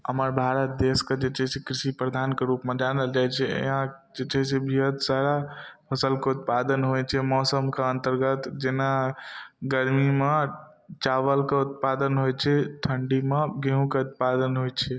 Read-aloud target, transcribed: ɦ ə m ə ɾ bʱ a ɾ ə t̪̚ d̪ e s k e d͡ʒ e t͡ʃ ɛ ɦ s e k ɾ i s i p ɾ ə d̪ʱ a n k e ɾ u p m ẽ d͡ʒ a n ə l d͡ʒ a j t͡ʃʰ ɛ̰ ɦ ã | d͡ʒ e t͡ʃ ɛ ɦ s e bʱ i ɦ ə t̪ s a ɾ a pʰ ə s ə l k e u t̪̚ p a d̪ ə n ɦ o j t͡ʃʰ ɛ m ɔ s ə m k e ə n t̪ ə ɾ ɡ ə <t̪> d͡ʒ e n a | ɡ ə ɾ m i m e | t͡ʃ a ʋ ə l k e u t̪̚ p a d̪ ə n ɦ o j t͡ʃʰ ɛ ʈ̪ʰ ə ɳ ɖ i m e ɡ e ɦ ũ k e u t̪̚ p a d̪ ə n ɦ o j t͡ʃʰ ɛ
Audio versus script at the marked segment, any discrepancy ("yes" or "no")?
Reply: no